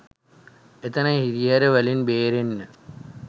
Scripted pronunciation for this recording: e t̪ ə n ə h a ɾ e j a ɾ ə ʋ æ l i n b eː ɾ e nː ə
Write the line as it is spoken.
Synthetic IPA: e t̪ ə n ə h i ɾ i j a ɾ ə ʋ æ l i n b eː ɾ e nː ə